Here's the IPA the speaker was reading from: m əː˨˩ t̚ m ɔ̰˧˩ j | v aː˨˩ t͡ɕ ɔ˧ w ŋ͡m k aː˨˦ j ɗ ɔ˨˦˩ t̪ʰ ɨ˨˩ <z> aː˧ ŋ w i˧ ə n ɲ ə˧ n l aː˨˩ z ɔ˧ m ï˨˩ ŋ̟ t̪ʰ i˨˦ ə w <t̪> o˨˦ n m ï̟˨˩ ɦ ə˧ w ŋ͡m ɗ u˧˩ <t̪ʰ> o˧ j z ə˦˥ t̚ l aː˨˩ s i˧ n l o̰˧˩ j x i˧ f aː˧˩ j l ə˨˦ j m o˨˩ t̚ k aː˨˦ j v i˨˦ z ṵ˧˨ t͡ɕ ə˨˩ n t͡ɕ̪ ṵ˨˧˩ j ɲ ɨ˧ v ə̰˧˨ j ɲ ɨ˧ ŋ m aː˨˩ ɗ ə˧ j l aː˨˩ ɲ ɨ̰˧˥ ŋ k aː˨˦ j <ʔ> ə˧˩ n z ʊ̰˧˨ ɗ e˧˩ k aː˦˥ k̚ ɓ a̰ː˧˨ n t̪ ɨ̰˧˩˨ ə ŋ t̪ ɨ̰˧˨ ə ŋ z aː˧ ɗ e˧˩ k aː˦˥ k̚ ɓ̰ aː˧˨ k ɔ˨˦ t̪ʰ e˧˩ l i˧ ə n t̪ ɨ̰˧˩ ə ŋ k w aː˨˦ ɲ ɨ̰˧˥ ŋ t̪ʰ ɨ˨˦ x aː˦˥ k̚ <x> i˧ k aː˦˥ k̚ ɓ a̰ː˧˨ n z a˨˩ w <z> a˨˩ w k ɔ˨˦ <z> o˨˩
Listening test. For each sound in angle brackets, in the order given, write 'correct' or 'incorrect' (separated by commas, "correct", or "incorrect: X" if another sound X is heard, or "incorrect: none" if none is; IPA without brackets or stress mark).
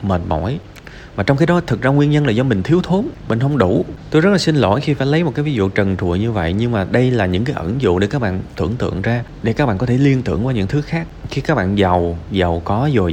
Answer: correct, incorrect: t̪ʰ, incorrect: t̪, correct, correct, correct, correct